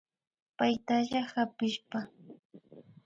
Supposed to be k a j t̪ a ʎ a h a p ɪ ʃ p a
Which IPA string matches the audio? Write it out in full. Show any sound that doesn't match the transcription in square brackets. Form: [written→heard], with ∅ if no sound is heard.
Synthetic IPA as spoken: [k→p] a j t̪ a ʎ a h a p ɪ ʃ p a